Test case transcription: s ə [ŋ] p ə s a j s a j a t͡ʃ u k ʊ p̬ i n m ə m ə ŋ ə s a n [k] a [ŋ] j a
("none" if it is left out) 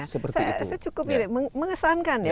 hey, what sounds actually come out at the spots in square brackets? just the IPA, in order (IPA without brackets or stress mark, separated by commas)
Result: none, k, n